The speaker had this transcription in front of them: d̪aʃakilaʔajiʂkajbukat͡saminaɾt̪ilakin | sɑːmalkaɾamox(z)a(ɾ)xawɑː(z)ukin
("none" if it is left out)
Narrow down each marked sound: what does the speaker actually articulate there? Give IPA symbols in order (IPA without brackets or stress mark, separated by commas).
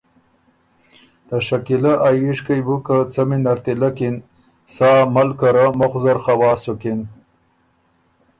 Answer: z, ɾ, s